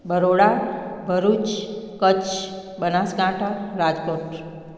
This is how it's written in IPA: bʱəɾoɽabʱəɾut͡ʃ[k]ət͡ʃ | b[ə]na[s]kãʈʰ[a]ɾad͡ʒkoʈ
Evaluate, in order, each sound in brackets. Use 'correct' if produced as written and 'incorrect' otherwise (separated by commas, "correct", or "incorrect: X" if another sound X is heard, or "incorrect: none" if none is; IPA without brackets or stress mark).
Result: correct, correct, correct, correct